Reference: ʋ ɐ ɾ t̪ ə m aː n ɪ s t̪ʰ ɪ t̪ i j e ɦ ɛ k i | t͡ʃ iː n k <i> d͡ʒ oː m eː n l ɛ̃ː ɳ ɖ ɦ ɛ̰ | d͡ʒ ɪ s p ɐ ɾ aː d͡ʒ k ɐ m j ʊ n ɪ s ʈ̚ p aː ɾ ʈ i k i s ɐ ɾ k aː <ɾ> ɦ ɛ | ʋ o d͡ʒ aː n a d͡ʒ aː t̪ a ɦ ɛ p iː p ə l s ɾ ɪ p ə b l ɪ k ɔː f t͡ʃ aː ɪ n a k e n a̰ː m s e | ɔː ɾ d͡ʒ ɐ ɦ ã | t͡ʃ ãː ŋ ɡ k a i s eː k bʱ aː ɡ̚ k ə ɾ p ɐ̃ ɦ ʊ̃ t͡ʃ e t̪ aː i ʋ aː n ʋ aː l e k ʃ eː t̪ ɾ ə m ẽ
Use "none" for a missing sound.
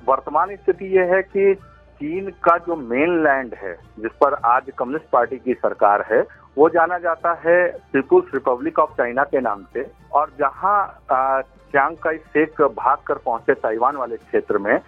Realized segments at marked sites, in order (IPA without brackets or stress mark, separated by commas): a, ɾ